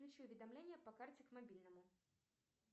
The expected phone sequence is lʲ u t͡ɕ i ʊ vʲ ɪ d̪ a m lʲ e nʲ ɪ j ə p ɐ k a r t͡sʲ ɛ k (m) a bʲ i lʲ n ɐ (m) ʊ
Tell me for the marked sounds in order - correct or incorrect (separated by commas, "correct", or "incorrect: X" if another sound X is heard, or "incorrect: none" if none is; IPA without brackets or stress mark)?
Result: correct, correct